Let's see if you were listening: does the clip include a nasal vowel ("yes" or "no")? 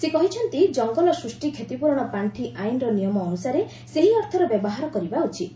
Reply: no